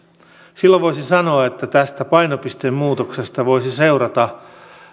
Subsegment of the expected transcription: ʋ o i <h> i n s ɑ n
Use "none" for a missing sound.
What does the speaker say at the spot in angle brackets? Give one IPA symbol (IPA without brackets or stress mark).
s